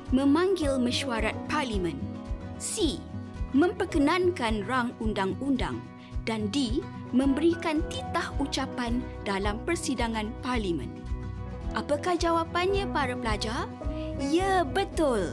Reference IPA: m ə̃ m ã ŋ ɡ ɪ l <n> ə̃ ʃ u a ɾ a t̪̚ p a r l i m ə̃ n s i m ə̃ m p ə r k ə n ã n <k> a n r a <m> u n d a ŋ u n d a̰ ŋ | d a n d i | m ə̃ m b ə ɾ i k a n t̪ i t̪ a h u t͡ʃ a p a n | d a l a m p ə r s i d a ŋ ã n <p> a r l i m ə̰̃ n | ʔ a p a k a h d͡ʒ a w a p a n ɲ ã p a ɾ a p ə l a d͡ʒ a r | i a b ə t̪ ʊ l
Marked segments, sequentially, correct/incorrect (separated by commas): incorrect, correct, incorrect, correct